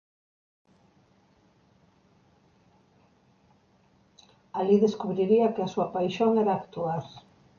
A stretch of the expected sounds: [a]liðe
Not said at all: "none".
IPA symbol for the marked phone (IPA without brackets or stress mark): a